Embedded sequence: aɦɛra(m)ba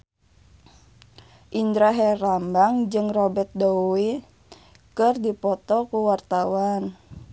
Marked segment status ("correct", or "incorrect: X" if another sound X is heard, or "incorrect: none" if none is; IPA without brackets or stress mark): correct